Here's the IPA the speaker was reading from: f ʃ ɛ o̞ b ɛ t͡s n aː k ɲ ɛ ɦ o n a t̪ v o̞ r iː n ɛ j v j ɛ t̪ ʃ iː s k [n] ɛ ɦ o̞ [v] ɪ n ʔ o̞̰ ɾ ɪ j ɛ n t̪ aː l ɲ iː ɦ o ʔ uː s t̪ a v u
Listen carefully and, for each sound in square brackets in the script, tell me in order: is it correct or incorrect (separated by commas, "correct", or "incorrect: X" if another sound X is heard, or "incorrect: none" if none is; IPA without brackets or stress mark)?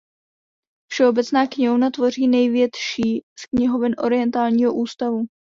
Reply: incorrect: ɲ, correct